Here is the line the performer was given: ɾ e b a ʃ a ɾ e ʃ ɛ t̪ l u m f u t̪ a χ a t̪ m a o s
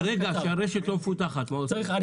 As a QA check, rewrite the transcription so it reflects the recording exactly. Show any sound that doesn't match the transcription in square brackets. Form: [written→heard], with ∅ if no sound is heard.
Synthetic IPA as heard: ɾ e [b→ɡ] a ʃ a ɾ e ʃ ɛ t̪ l [u→o] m f u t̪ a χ a t̪ m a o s